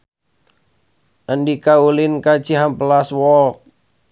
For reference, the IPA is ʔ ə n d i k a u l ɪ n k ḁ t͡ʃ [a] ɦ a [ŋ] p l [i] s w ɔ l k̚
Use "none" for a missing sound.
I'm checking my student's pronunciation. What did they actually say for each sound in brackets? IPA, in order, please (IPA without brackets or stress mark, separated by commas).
i, m, a